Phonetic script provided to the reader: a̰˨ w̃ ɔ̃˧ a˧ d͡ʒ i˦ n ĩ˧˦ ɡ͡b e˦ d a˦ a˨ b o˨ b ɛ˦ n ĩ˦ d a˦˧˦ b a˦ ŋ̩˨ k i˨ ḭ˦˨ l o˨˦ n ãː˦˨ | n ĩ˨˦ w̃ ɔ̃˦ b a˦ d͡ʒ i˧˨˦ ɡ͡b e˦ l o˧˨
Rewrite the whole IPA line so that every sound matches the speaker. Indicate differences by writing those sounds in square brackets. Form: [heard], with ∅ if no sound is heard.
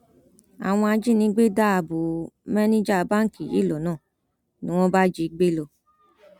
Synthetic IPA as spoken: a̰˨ w̃ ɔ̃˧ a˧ d͡ʒ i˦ n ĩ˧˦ ɡ͡b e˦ d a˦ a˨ b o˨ [m] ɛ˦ n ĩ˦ [d͡ʒ] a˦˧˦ b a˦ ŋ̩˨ k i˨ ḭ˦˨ l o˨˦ n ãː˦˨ | n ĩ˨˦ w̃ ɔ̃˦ b a˦ d͡ʒ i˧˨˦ ɡ͡b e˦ l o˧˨